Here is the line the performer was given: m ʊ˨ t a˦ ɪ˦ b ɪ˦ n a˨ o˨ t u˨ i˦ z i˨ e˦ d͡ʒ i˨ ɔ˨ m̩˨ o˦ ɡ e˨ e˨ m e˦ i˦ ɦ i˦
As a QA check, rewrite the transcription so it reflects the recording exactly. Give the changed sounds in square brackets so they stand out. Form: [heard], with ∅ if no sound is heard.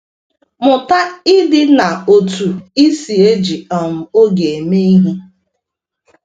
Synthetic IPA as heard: m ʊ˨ t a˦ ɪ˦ [d] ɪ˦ n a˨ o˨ t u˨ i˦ [s] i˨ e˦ d͡ʒ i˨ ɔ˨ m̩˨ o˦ ɡ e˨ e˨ m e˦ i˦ ɦ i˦